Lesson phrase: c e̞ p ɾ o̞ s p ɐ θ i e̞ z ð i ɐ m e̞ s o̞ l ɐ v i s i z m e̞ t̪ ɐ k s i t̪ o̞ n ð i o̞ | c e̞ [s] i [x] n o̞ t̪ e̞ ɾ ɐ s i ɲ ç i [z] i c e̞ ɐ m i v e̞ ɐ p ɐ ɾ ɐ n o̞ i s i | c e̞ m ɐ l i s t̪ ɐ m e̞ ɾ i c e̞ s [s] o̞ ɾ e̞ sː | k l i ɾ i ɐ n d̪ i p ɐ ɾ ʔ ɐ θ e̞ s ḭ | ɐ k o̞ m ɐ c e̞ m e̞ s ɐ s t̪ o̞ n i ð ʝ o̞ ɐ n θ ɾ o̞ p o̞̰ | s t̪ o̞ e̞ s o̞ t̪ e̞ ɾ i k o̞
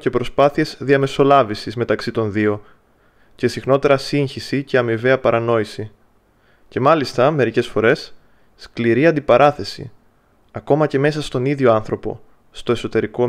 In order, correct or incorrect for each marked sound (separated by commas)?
correct, correct, incorrect, incorrect